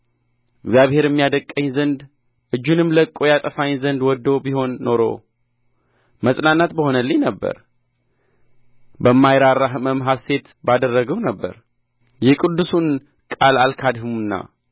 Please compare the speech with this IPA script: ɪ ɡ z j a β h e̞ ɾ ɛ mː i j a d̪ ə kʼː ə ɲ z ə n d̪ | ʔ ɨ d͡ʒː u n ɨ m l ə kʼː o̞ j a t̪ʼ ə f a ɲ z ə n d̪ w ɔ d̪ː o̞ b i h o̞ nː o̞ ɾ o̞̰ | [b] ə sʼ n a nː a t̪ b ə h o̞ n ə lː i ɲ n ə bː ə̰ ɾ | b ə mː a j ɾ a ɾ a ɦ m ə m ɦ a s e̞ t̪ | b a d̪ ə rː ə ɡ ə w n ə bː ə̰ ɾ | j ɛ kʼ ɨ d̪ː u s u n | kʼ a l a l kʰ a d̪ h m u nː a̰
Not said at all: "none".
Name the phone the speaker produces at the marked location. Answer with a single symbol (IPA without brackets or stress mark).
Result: m